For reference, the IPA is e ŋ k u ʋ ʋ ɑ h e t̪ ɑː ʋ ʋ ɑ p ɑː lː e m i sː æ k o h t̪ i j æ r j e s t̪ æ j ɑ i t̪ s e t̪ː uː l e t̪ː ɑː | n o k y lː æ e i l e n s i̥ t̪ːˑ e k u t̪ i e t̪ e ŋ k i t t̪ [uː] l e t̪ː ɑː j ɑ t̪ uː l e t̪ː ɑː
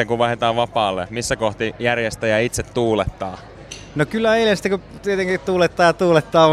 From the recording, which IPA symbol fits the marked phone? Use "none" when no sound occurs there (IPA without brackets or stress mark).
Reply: uː